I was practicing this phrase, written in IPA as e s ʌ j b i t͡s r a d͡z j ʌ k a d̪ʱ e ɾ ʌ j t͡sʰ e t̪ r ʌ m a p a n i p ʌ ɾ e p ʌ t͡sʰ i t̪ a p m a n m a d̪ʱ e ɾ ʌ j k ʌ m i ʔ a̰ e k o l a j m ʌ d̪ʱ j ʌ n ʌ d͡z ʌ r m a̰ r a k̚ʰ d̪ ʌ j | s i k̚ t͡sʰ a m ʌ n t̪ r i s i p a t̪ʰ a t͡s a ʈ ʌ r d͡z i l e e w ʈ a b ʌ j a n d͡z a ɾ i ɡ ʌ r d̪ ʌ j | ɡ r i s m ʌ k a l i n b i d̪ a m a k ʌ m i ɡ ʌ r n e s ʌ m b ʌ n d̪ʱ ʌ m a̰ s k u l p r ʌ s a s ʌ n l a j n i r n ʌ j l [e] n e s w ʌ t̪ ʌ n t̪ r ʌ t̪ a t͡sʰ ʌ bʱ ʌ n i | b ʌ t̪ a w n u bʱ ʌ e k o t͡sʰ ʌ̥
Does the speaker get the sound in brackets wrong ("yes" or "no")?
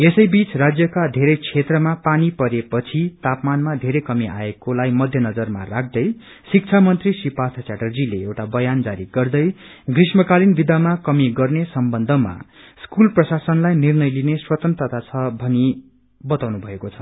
yes